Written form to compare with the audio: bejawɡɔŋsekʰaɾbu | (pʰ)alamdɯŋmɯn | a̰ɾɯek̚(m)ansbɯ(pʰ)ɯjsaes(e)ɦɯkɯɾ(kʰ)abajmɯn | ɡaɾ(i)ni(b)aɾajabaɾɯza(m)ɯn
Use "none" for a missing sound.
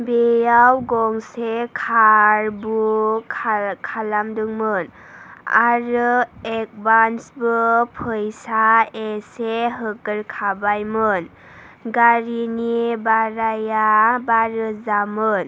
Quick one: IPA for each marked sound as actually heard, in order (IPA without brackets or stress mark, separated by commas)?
kʰ, b, pʰ, e, kʰ, i, b, m